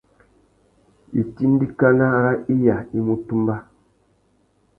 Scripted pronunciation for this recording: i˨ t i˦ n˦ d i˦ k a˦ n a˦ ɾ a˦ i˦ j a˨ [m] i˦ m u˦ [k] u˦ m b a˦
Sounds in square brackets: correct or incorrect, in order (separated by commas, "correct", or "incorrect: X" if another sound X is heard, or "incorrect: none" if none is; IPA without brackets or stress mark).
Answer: incorrect: none, incorrect: t